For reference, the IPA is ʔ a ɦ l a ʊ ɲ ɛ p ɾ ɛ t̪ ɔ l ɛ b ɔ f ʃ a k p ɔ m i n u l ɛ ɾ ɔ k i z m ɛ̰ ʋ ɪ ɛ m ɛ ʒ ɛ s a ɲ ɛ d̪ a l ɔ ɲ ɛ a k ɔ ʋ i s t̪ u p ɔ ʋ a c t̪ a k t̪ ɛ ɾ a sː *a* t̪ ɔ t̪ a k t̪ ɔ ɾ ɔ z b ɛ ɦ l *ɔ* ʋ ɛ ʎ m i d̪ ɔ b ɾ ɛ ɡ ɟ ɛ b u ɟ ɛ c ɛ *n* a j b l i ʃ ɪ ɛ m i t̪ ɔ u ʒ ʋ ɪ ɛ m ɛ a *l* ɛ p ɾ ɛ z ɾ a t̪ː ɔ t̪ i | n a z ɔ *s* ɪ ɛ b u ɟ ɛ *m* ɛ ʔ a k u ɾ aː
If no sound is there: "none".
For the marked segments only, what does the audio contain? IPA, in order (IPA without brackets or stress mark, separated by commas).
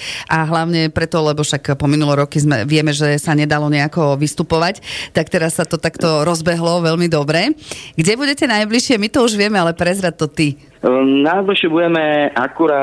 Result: a, ɔ, n, l, ʃ, m